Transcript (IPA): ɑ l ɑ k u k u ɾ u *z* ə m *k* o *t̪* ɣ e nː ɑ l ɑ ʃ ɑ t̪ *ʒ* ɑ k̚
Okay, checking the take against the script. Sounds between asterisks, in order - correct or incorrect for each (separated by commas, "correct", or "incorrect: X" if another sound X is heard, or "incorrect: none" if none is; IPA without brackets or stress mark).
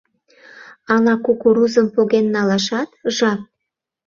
correct, incorrect: p, incorrect: none, correct